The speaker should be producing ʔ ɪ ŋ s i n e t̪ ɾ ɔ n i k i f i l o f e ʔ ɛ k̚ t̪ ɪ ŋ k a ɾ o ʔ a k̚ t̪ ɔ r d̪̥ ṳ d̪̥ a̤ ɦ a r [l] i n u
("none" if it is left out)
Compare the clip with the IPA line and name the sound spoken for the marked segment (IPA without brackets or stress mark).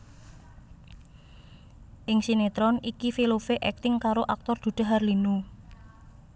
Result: l